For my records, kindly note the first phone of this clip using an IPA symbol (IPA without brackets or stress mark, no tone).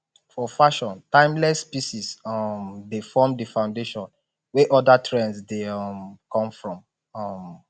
f